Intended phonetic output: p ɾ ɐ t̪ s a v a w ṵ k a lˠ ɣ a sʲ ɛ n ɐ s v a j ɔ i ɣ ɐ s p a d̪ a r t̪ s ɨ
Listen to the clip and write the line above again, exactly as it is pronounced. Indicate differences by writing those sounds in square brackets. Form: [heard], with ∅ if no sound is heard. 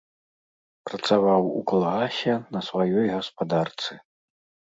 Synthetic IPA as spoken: p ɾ ɐ t̪ s a v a w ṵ k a lˠ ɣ a sʲ ɛ n ɐ s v a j ɔ [j] ɣ ɐ s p a d̪ a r t̪ s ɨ